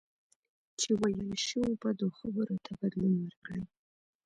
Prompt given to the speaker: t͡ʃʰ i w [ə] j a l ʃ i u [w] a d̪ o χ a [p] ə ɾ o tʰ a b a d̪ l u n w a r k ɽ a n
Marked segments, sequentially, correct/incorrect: incorrect: a, incorrect: b, incorrect: b

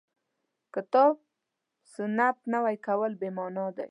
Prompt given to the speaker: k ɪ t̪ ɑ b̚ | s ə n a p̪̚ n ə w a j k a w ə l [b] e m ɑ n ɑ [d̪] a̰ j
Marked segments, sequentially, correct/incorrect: correct, correct

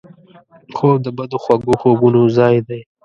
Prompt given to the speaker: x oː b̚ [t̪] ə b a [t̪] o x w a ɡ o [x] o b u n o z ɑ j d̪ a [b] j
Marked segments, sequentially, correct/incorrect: incorrect: d̪, incorrect: d̪, correct, incorrect: none

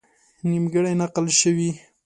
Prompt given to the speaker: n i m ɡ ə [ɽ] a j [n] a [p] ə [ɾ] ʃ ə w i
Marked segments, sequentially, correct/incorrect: correct, correct, incorrect: q, incorrect: l

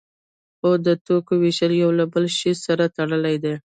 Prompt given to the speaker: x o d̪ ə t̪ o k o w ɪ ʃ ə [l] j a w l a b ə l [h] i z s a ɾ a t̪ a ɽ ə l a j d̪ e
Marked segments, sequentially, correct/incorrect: correct, incorrect: ʃ

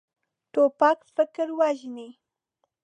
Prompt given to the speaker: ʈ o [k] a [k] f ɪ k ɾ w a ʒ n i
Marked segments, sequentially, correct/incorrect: incorrect: p, correct

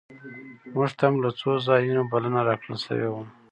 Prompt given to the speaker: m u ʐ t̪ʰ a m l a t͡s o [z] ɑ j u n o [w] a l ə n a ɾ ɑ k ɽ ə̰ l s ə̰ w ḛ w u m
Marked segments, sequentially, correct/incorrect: correct, incorrect: b

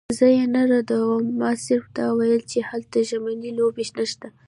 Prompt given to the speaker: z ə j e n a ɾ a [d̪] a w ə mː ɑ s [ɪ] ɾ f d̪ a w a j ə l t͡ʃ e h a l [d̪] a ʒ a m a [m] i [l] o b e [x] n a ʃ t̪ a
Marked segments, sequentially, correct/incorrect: correct, correct, incorrect: t̪, incorrect: n, correct, incorrect: ʃ

